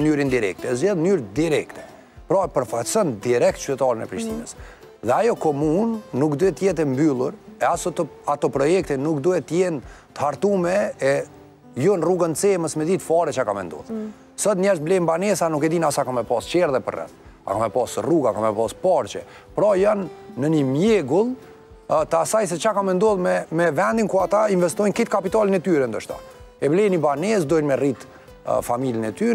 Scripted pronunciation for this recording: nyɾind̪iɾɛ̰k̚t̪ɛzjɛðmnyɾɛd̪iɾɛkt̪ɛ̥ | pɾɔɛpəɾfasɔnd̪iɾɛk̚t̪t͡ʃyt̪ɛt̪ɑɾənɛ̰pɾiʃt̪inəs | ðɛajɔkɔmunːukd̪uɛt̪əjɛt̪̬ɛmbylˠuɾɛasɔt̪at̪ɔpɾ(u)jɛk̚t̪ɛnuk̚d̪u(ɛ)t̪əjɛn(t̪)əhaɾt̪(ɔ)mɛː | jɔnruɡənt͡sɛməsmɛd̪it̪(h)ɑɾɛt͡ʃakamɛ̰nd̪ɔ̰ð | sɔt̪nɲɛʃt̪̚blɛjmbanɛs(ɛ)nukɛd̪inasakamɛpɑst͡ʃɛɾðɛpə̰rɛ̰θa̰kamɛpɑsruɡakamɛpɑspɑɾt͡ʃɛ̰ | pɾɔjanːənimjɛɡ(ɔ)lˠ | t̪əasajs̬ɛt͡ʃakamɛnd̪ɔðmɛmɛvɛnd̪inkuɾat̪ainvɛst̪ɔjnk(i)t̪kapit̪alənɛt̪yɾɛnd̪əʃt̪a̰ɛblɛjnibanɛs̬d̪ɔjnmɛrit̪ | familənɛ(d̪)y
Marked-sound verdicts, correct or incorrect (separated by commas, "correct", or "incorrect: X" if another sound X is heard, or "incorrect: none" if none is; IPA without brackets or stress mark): incorrect: ɔ, correct, correct, incorrect: u, incorrect: f, incorrect: a, incorrect: u, correct, incorrect: t̪